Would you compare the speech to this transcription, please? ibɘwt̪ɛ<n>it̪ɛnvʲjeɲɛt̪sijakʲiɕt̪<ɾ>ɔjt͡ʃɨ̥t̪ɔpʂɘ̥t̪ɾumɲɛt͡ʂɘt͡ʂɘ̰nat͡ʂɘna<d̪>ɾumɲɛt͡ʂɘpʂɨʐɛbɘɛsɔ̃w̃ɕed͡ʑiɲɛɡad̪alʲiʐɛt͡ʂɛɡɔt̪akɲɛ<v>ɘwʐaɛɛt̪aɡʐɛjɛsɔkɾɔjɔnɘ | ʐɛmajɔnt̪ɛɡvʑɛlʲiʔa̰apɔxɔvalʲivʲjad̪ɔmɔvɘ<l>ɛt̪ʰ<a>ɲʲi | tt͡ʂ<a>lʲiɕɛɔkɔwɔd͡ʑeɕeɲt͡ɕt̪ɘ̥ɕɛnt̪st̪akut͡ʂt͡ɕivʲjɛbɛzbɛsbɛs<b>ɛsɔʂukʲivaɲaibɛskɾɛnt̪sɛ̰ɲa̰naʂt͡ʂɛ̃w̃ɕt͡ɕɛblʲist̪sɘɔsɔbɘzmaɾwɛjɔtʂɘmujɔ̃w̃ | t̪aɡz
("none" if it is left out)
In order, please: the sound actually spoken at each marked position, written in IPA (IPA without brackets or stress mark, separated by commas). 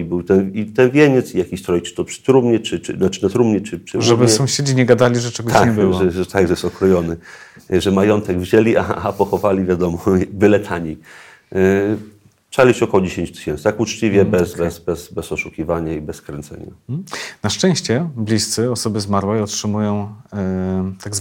n, ɾ, t̪, b, l, a, a, b